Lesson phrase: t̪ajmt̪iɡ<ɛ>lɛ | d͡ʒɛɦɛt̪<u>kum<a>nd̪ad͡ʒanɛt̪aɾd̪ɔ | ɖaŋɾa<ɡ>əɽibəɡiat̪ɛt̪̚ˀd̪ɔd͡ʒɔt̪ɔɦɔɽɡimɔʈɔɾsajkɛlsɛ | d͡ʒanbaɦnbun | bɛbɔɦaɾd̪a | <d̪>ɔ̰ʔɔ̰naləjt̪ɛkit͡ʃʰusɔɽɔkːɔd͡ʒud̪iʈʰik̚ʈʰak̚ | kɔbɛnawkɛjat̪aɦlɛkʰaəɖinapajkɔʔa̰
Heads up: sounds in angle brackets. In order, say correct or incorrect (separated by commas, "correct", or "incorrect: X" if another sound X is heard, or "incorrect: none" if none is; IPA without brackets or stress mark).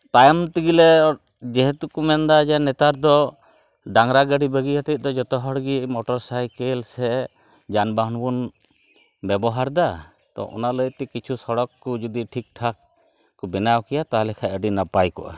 incorrect: i, correct, incorrect: ɛ, correct, incorrect: t̪